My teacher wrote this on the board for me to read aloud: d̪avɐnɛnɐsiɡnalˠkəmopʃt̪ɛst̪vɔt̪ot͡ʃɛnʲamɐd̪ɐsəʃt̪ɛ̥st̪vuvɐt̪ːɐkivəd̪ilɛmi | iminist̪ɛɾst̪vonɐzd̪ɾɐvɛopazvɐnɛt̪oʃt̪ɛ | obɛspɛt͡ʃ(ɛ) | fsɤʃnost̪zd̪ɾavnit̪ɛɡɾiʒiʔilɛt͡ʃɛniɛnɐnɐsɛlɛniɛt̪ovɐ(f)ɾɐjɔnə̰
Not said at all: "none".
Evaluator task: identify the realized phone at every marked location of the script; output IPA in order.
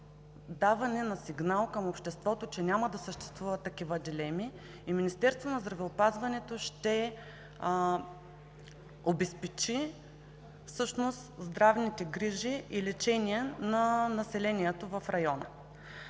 i, f

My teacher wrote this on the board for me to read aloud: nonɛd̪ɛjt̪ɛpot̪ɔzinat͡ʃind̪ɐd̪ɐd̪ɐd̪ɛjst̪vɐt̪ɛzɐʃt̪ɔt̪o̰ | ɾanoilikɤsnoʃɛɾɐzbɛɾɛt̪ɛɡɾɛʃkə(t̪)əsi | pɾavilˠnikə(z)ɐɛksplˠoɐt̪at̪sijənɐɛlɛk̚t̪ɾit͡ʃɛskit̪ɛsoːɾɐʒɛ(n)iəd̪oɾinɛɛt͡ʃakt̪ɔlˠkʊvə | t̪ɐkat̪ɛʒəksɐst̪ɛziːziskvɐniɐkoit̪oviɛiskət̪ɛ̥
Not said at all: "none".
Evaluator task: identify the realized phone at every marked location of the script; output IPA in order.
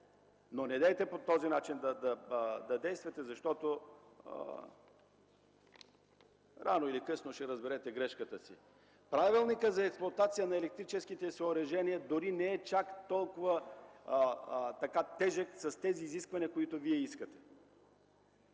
t̪, z, n

